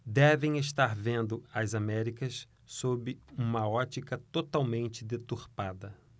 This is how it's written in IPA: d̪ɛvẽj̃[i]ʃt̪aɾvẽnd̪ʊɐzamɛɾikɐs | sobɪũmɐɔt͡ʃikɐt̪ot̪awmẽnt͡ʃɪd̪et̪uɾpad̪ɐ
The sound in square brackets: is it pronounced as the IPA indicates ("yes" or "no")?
no